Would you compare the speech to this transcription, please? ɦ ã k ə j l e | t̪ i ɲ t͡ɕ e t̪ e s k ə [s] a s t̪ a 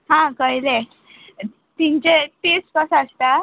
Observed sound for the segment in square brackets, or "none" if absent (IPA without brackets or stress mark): s